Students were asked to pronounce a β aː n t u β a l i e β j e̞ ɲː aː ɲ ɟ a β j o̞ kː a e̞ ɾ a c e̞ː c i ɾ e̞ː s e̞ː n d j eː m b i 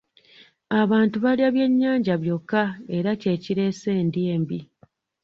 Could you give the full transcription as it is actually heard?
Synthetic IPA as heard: a β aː n t u β a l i a β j e̞ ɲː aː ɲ ɟ a β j o̞ kː a e̞ ɾ a c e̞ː c i ɾ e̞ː s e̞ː n d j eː m b i